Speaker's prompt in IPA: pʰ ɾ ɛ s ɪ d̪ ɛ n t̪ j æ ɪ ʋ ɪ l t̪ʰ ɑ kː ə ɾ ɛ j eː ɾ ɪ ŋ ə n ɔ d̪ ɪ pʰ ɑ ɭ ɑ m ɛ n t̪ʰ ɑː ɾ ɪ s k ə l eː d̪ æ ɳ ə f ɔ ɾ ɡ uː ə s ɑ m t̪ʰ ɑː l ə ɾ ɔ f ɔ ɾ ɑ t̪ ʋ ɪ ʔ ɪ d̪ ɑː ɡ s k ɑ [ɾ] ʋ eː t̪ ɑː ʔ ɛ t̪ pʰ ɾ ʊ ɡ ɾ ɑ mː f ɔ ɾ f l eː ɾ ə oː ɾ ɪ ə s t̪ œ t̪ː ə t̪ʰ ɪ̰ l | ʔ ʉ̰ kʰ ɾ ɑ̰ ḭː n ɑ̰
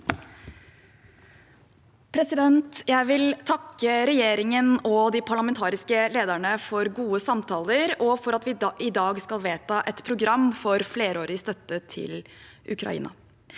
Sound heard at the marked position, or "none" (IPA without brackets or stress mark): l